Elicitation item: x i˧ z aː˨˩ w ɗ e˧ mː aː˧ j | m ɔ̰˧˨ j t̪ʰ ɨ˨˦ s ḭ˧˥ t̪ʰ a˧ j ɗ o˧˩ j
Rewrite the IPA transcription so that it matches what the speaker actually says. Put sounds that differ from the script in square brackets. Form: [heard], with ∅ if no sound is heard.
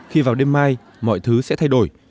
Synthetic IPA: x i˧ [v] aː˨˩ w ɗ e˧ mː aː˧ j | m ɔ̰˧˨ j t̪ʰ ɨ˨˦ s [ɛ̰˧˥] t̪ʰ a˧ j ɗ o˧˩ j